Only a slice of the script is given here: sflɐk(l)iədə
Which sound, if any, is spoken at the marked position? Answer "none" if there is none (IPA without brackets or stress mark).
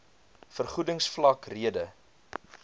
r